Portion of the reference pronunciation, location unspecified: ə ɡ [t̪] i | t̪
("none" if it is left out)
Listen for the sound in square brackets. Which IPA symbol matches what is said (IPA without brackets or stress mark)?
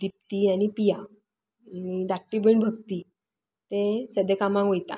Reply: t̪